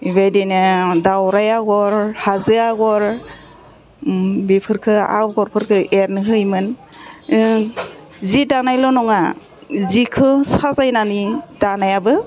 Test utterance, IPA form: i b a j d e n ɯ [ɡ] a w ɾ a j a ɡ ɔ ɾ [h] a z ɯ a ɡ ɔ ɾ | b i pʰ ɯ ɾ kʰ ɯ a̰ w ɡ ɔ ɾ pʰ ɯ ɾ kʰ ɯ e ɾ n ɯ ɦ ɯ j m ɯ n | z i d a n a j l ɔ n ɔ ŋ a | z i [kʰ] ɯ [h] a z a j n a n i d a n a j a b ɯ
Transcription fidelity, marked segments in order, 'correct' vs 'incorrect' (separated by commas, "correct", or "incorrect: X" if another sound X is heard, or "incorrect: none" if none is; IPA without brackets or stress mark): incorrect: d, correct, correct, incorrect: s